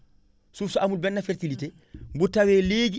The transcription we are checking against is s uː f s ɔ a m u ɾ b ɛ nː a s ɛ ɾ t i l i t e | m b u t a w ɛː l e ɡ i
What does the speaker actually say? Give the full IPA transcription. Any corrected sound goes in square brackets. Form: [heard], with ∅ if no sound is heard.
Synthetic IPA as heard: s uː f s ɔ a m u [l] b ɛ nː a [f] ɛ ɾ t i l i t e | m b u t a w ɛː l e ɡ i